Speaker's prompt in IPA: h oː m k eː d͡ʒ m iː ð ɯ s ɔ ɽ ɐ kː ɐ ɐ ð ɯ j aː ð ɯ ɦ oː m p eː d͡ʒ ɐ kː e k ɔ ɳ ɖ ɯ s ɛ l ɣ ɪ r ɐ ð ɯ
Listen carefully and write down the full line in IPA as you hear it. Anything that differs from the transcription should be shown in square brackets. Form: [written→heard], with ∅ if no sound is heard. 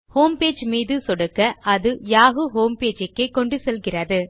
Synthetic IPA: h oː m [k→p] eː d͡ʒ m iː ð ɯ s ɔ ɽ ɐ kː ɐ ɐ ð ɯ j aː [ð→ɣ] ɯ ɦ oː m p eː d͡ʒ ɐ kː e k ɔ ɳ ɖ ɯ s ɛ l ɣ ɪ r ɐ ð ɯ